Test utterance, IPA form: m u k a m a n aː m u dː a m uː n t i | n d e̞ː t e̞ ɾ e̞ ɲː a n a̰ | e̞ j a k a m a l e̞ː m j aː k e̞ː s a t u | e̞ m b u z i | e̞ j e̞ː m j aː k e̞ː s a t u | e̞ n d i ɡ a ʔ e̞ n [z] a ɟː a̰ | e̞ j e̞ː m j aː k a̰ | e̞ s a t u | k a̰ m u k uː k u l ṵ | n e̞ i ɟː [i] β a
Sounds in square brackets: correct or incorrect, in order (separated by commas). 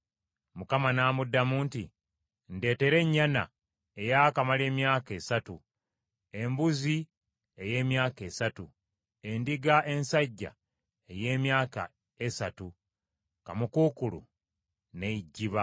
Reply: incorrect, correct